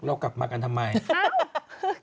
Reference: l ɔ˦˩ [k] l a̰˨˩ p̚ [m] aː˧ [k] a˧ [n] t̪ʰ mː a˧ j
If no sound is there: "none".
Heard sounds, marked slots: k, m, k, n

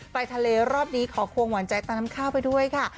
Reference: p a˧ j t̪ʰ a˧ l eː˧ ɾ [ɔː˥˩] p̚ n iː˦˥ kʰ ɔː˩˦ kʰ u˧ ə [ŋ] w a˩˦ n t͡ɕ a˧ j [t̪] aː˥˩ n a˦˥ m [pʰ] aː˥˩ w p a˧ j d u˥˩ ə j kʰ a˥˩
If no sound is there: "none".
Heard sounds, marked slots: ɔː˥˩, ŋ, t̪, kʰ

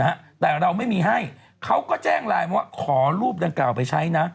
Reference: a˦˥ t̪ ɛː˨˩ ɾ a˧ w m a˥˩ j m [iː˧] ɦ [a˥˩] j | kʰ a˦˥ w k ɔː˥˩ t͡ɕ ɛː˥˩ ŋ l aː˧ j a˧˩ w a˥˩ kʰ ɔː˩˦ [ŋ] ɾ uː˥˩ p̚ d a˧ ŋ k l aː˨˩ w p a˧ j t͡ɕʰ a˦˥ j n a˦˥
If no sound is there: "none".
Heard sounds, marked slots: iː˧, a˥˩, none

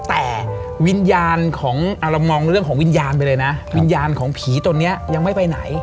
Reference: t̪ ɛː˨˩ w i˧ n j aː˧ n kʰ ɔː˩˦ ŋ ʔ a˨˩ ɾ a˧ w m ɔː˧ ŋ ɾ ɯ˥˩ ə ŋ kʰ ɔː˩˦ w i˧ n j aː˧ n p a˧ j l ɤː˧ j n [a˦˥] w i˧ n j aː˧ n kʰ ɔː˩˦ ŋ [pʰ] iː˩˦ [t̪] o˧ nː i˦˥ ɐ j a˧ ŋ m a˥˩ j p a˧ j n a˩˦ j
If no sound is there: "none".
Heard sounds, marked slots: a˦˥, pʰ, t̪

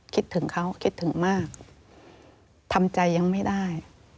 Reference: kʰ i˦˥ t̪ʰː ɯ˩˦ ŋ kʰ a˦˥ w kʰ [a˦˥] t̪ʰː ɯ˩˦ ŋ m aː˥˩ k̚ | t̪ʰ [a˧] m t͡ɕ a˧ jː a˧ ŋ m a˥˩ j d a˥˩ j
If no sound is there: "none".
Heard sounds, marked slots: i˦˥, a˧

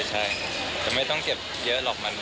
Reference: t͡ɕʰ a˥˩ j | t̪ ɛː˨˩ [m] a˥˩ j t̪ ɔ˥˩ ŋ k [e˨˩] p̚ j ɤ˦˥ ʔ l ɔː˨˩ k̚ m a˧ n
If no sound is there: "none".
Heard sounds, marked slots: m, e˨˩

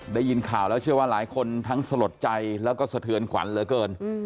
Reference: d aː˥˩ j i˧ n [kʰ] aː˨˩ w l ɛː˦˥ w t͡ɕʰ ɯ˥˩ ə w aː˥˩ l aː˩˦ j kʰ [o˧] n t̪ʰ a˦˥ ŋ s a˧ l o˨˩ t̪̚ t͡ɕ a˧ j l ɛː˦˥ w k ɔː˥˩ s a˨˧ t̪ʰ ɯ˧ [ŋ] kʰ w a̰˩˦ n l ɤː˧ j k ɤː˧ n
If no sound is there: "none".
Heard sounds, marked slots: kʰ, o˧, n

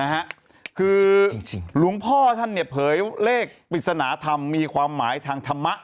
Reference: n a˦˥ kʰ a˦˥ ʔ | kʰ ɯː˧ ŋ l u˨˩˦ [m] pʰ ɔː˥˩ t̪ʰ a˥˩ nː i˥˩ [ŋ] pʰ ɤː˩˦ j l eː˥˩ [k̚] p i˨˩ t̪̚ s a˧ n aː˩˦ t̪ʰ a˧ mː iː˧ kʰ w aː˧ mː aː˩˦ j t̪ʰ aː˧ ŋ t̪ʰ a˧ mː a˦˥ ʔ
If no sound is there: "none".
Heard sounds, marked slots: ŋ, none, k̚

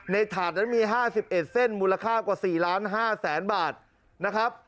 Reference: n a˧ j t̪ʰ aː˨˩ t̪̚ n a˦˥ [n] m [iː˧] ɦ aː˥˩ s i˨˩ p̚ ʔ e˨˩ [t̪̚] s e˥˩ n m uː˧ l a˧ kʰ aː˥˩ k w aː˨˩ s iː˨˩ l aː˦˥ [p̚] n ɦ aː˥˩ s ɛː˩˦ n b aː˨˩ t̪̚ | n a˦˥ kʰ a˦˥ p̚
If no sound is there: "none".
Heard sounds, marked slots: n, iː˧, t̪̚, none

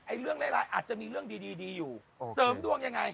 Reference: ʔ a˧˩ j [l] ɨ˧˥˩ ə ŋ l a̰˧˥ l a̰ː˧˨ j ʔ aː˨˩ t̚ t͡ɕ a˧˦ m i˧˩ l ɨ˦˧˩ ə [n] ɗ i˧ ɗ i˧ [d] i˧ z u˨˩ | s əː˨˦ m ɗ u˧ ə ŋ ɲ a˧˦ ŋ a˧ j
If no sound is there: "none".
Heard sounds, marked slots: l, ŋ, ɗ

